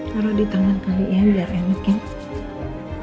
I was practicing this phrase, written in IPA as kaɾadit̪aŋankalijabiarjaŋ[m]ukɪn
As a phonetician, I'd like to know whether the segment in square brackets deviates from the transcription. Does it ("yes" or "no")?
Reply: no